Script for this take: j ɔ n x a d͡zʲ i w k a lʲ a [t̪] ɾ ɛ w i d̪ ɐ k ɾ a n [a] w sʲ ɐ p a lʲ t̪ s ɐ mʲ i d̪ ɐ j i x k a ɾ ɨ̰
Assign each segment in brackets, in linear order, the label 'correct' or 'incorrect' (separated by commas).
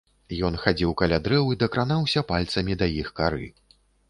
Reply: incorrect, correct